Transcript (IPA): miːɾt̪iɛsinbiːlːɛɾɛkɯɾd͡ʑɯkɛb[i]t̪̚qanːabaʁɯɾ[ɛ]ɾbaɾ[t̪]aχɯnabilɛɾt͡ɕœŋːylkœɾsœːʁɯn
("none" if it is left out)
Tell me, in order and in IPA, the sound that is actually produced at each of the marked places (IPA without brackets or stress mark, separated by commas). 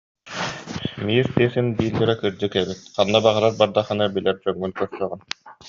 i, a, d̪